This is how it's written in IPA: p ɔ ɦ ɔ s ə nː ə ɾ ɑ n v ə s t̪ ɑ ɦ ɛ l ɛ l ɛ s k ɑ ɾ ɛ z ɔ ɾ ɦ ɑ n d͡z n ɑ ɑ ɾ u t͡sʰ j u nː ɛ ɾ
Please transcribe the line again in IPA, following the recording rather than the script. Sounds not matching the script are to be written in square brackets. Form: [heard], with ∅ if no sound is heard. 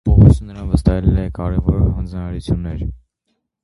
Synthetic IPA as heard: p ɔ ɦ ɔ s ə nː ə ɾ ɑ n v ə s t̪ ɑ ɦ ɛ l ɛ l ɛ [∅] k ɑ ɾ ɛ [v] ɔ ɾ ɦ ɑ n d͡z n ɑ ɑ ɾ u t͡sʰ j u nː ɛ ɾ